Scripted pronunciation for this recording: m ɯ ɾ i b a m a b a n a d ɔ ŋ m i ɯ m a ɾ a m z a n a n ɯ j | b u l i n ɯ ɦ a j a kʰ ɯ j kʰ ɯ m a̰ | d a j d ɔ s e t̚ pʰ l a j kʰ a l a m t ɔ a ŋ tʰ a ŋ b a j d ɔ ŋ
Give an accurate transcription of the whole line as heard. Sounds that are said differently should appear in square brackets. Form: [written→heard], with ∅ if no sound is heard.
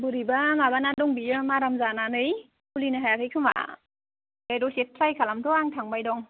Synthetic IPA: [m→b] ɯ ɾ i b a m a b a n a d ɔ ŋ [m→b] i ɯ m a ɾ a m z a n a n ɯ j | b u l i n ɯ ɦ a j a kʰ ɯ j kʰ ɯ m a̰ | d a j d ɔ s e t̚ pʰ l a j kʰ a l a m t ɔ a ŋ tʰ a ŋ b a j d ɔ ŋ